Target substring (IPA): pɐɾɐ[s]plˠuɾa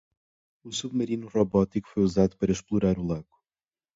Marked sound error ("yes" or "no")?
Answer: yes